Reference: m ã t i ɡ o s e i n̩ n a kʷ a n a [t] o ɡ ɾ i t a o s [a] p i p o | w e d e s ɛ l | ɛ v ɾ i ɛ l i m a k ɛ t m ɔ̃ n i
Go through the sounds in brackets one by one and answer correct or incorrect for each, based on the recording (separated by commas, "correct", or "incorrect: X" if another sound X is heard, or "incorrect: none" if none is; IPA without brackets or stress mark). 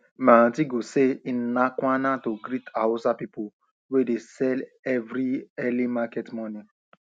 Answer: correct, correct